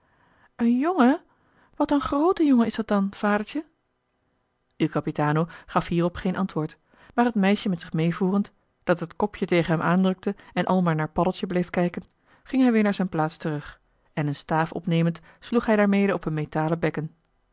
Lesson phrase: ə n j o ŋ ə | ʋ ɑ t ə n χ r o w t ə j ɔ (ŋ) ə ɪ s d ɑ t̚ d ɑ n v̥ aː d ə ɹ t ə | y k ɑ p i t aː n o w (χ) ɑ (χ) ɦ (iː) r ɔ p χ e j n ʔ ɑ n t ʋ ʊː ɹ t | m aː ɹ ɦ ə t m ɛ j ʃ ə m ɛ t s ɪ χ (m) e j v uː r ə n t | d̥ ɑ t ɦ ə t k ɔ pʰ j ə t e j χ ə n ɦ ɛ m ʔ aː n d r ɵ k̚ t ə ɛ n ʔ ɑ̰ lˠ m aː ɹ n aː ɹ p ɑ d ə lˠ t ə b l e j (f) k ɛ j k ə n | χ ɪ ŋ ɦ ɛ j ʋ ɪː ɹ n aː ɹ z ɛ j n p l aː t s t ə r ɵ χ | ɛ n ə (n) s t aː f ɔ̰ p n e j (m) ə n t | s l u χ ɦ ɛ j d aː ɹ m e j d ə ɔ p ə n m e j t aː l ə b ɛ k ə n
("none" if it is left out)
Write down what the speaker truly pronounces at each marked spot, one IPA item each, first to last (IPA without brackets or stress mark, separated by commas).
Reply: ŋ, χ, f, iː, m, f, n, m